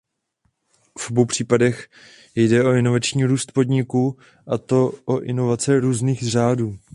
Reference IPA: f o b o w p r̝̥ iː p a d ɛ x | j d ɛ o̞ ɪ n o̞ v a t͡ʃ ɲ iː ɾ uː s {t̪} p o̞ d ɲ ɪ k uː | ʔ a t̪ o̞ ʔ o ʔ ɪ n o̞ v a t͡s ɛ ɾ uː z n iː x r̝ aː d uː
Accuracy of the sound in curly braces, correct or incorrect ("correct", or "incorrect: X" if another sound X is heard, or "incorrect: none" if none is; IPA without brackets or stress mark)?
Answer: correct